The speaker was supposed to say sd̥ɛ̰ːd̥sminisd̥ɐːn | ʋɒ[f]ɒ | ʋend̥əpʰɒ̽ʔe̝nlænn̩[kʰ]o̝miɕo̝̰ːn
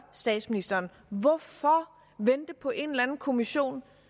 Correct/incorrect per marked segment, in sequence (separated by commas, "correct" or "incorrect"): correct, correct